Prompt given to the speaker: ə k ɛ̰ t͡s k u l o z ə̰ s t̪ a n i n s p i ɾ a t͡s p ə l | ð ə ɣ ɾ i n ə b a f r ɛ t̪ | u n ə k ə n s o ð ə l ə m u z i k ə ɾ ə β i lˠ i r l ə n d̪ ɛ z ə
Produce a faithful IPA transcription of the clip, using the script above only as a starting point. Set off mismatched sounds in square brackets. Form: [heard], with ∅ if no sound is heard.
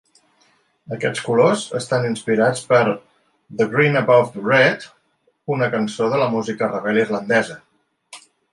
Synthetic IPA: ə k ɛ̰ t͡s k u l o z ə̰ s t̪ a n i n s p i ɾ a t͡s p ə [ɾ] | ð ə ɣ ɾ i n ə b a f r ɛ t̪ | u n ə k ə n s o ð ə l ə m u z i k ə [r] ə β [ɛ] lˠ i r l ə n d̪ ɛ z ə